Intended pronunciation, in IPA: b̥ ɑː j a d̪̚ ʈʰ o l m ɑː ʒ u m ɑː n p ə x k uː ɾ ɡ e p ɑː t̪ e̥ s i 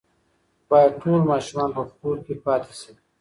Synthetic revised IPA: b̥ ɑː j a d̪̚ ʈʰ o l m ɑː ʃ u m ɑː n p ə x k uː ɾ k e p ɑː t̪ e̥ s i